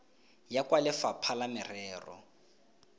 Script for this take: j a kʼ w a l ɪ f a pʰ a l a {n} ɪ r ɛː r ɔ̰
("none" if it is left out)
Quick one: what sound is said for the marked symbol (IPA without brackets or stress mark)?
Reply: m